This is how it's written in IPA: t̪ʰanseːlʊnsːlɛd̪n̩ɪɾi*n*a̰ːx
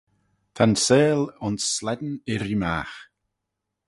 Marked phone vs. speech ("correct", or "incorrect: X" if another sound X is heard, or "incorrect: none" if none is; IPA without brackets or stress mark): incorrect: m